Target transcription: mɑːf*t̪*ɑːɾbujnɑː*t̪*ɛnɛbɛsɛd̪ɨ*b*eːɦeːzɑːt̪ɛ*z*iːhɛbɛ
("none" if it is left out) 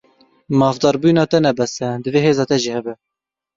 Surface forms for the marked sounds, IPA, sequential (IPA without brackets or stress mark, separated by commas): d̪, t̪, v, ʒ